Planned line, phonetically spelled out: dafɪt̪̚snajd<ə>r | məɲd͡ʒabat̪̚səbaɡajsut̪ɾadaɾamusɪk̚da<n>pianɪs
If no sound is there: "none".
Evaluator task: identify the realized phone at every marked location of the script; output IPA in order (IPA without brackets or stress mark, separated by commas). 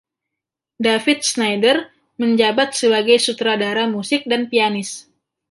ə, n